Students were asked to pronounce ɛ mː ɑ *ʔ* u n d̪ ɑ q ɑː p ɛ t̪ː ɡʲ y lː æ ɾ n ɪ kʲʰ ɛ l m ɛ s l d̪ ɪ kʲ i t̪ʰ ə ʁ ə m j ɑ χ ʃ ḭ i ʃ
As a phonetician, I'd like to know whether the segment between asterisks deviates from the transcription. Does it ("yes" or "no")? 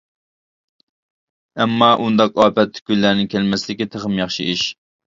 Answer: no